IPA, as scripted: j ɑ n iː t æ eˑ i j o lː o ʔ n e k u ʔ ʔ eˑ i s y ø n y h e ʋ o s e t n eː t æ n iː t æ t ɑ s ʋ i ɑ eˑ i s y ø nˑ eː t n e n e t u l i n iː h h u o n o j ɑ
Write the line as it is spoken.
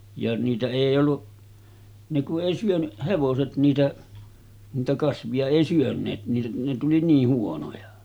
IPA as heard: j ɑ n iː t æ eˑ i j o lː u ʔ n e k u ʔ ʔ eˑ i s y ø n y h e ʋ o s e t n iː t æ n iː t æ k ɑ s ʋ i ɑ eˑ i s y ø nˑ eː t n e n e t u l i n iː h h u o n o j ɑ